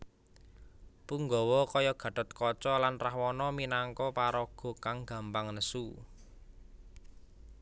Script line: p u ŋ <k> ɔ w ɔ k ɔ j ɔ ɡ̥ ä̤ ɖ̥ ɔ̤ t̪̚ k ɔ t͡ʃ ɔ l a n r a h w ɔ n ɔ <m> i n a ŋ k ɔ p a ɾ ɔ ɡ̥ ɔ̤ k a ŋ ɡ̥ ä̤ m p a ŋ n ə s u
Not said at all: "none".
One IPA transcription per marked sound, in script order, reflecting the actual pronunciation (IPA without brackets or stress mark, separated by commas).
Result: ɡ, m